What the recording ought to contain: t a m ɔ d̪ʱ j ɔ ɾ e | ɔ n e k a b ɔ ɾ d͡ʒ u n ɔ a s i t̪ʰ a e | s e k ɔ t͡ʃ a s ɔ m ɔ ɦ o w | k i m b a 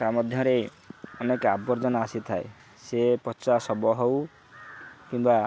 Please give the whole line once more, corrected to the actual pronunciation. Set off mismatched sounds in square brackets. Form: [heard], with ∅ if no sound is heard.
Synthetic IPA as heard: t a m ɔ d̪ʱ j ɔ ɾ e | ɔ n e k a b ɔ ɾ d͡ʒ [ɔ] n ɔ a s i t̪ʰ a e | s e [p] ɔ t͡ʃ a s ɔ [b] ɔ ɦ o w | k i m b a